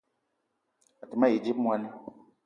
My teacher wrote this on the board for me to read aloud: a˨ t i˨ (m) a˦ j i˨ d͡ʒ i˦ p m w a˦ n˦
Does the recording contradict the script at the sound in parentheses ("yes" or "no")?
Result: no